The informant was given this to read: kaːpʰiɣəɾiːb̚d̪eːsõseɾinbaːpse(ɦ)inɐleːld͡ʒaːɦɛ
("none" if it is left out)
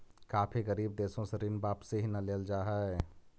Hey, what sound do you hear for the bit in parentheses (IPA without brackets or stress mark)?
ɦ